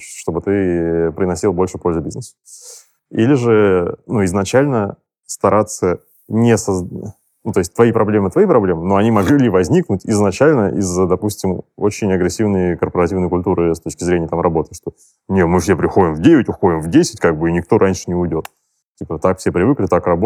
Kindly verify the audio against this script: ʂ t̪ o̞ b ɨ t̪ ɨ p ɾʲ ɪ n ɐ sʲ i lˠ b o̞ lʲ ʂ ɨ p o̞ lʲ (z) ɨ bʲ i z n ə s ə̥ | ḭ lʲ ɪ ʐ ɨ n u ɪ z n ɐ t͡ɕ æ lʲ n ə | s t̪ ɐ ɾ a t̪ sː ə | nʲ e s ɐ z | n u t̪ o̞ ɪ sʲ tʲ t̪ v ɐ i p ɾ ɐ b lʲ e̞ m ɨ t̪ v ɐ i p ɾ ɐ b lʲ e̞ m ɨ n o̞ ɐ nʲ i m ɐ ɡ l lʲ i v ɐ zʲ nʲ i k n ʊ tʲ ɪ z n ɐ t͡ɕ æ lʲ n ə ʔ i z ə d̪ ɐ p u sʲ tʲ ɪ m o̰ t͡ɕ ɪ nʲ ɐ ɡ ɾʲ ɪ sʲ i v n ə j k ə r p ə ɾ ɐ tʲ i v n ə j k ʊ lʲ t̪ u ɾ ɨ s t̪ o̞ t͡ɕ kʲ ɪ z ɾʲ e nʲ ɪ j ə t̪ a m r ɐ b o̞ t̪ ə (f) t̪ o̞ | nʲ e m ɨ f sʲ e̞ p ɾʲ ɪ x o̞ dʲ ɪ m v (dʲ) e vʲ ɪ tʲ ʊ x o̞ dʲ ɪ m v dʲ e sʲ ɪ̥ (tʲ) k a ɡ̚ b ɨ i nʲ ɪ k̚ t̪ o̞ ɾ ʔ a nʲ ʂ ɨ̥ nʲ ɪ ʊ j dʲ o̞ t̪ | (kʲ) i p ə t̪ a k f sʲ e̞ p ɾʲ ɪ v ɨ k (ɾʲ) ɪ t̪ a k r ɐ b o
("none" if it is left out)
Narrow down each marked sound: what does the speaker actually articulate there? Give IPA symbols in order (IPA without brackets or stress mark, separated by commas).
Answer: z, ʂ, dʲ, tʲ, tʲ, lʲ